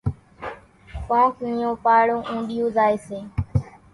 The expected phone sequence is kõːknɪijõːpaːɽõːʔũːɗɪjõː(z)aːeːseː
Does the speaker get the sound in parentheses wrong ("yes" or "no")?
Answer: no